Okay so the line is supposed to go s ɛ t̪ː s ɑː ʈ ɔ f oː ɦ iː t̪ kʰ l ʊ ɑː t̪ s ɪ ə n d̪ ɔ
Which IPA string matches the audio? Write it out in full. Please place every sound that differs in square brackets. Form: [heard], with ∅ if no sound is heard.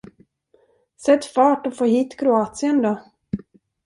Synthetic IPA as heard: s ɛ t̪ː [f] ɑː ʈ ɔ f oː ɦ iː t̪ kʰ [ɾ] ʊ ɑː t̪ s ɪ ə n d̪ ɔ